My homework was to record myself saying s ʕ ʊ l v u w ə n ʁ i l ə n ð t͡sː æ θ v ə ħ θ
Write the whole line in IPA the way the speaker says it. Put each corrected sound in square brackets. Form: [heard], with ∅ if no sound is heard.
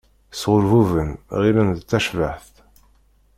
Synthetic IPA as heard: s [ʁ] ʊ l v u [v] ə n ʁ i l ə n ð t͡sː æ [ʃ] v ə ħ θ